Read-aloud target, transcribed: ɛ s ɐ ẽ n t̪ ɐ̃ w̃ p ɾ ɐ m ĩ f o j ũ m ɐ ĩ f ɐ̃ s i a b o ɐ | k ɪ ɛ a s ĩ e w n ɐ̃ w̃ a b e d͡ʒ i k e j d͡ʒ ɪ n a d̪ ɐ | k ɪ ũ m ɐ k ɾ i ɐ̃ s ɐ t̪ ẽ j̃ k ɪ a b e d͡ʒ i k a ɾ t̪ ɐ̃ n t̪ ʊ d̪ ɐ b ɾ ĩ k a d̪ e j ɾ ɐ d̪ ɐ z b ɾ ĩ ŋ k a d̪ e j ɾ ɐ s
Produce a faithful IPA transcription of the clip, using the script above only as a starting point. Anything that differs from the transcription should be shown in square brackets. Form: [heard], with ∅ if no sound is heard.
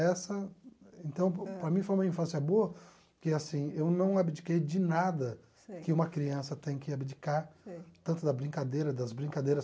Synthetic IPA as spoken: ɛ s ɐ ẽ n t̪ ɐ̃ w̃ p ɾ ɐ m ĩ f o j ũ m ɐ ĩ f ɐ̃ s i [ɐ] b o ɐ | k ɪ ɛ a s ĩ e w n ɐ̃ w̃ a b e d͡ʒ i k e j d͡ʒ ɪ n a d̪ ɐ | k ɪ ũ m ɐ k ɾ i ɐ̃ s ɐ t̪ ẽ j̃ k ɪ a b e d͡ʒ i k a ɾ t̪ ɐ̃ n t̪ ʊ d̪ ɐ b ɾ ĩ k a d̪ e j ɾ ɐ d̪ ɐ z b ɾ ĩ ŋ k a d̪ e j ɾ ɐ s